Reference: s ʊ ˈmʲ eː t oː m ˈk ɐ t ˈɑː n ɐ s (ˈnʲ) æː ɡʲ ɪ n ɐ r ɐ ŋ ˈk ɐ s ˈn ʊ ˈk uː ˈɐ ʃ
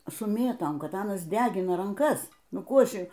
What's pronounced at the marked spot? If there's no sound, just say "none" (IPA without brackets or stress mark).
dʲ